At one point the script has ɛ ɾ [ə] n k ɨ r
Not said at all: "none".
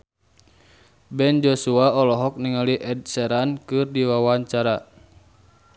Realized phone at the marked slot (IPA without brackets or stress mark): a